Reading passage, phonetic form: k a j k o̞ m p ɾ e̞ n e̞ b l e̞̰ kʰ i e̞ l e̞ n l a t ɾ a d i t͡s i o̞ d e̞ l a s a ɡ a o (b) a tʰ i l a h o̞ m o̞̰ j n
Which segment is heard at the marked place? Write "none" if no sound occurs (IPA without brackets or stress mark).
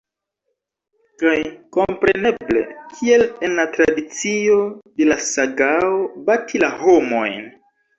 b